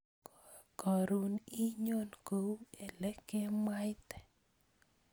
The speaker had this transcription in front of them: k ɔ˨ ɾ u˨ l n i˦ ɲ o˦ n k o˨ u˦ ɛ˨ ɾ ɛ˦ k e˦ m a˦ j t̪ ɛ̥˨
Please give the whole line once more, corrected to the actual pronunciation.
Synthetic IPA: k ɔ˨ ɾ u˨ n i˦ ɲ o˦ n k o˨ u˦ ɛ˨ l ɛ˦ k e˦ m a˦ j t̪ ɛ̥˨